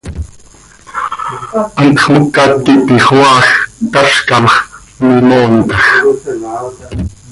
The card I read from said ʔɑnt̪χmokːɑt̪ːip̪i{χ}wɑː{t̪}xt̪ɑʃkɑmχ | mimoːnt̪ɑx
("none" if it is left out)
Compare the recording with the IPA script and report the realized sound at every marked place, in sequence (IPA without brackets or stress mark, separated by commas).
χ, none